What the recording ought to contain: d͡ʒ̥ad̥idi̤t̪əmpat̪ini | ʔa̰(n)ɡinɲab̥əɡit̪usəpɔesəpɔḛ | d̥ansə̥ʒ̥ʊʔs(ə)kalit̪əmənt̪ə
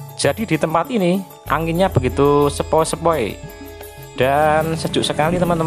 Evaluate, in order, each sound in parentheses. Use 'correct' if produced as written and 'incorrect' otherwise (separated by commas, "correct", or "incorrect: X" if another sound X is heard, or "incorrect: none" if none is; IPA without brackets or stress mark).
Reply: incorrect: ŋ, correct